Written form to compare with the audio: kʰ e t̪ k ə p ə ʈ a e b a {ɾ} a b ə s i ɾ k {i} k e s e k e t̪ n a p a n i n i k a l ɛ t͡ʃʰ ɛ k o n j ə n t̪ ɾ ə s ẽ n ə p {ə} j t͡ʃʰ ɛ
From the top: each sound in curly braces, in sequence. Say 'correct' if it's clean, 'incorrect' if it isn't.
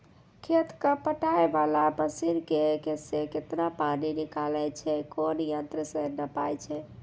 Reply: incorrect: l, incorrect: e, incorrect: a

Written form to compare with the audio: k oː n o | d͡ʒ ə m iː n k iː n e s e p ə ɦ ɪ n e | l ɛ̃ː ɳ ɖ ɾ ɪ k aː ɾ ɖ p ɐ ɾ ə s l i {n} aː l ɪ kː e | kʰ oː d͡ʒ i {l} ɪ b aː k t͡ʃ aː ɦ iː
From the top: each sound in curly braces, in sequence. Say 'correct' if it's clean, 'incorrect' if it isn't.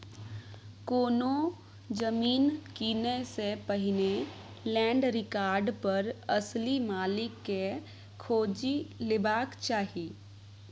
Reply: incorrect: m, correct

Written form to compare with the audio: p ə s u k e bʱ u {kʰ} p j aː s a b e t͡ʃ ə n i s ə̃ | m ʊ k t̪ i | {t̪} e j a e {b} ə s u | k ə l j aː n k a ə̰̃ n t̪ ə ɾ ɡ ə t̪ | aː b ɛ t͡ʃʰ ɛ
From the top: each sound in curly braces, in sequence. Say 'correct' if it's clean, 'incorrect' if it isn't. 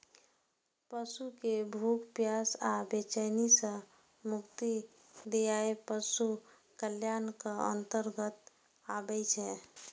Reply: incorrect: k, incorrect: d̪, incorrect: p

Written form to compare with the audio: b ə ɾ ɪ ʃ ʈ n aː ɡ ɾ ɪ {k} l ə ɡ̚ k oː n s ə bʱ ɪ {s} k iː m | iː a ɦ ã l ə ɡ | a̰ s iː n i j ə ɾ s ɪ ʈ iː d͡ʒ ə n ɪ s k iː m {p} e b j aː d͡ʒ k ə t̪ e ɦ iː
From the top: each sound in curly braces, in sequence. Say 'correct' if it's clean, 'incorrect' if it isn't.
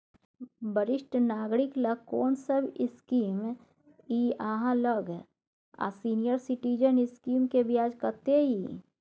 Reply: correct, correct, incorrect: k

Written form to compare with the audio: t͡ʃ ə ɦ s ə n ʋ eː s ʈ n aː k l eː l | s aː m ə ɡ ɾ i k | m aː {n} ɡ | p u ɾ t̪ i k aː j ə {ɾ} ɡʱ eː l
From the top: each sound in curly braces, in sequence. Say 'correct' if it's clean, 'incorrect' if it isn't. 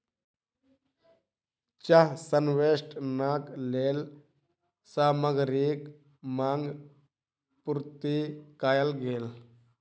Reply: incorrect: ŋ, incorrect: l

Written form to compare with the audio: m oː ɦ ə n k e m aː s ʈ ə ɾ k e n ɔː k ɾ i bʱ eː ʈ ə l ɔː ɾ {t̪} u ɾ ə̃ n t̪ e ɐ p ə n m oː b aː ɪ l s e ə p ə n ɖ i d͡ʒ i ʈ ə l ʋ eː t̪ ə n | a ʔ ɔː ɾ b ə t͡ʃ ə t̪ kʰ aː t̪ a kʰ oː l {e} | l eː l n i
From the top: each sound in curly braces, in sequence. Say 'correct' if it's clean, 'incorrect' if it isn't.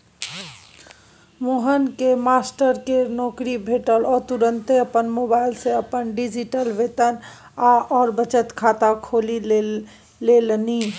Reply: correct, incorrect: i

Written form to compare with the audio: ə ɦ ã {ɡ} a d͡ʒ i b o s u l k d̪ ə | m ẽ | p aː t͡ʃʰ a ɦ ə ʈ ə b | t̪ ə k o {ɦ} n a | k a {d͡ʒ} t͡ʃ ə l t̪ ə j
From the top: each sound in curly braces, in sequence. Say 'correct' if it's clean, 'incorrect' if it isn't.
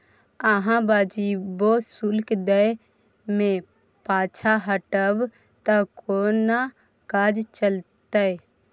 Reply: incorrect: b, incorrect: none, correct

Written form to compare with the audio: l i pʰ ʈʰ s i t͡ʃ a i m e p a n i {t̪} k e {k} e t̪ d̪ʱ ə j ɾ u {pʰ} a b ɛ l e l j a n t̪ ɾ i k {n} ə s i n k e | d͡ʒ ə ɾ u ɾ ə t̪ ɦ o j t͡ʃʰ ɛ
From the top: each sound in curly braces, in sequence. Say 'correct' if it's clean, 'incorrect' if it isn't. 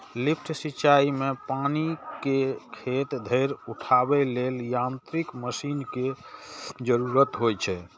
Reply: incorrect: none, incorrect: kʰ, incorrect: ʈʰ, incorrect: m

